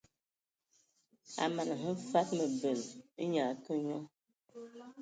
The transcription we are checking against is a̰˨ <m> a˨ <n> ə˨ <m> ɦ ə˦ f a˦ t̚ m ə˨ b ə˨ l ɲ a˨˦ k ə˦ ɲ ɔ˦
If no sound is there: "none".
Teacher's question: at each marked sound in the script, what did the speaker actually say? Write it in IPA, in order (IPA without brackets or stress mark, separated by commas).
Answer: m, n, none